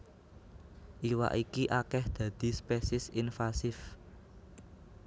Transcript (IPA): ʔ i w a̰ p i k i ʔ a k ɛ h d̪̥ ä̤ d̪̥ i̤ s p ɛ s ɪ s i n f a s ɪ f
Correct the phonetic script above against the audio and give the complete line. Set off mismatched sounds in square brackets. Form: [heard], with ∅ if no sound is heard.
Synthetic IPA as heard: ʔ i w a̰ [ʔ] i k i ʔ a k ɛ h d̪̥ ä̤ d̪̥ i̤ s p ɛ s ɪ s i n f a s ɪ f